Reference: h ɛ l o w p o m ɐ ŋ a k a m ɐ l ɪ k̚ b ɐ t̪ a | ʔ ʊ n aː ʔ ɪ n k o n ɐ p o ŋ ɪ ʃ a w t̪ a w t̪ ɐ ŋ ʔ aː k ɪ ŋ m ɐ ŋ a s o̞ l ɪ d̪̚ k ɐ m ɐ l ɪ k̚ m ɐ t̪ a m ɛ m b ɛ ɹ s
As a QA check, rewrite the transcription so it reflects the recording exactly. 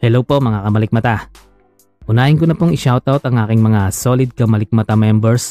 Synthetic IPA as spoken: h ɛ l o w p o m ɐ ŋ a k ɐ m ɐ l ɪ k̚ m ɐ t̪ a | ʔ ʊ n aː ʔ ɪ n k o n ɐ p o ŋ ɪ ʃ a w t̪ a w t̪ ɐ ŋ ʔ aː k ɪ ŋ m ɐ ŋ a s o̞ l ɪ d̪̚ k ɐ m ɐ l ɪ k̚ m ɐ t̪ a m ɛ m b ɛ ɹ s